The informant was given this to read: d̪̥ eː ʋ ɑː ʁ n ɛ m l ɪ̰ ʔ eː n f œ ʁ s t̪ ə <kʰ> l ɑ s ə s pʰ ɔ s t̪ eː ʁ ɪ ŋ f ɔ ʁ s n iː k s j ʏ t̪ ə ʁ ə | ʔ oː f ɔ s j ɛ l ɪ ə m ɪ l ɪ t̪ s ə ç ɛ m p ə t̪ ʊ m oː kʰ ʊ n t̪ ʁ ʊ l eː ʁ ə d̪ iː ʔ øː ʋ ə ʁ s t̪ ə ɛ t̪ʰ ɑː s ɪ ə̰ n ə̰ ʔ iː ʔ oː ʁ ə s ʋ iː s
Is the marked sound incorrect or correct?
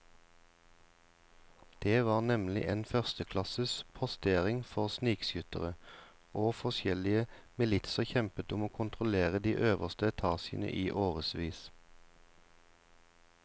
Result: correct